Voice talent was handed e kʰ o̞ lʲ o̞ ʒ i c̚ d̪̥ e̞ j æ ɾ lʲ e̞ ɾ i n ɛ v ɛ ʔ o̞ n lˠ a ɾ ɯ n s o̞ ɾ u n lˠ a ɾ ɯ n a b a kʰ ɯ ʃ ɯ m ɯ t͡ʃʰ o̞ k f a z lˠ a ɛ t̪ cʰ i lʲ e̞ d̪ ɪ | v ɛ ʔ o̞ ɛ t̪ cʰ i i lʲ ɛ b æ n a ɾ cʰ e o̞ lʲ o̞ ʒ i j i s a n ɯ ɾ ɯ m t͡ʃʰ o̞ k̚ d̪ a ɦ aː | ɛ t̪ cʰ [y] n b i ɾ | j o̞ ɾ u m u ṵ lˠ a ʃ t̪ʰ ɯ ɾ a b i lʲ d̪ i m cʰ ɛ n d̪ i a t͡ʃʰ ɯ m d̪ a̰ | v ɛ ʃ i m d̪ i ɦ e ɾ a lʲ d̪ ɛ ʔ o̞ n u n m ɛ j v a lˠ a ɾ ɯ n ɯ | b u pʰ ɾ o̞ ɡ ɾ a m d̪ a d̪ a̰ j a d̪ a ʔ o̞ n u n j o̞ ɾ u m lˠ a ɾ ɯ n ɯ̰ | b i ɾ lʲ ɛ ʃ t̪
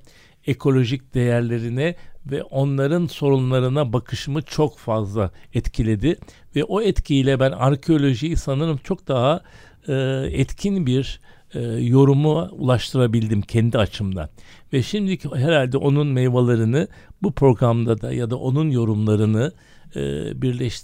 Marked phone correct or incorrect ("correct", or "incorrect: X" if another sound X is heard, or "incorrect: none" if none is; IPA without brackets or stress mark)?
incorrect: i